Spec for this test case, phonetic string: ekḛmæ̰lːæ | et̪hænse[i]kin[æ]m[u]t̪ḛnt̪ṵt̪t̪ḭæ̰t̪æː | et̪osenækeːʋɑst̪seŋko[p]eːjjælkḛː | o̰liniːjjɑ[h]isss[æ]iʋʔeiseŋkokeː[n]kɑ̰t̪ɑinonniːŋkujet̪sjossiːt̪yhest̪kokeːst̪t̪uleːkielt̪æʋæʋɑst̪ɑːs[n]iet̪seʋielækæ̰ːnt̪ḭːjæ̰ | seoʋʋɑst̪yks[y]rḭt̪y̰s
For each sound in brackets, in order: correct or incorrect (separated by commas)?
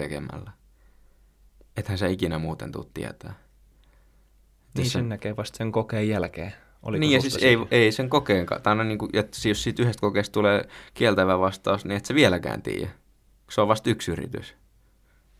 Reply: correct, correct, incorrect, incorrect, incorrect, incorrect, incorrect, correct, correct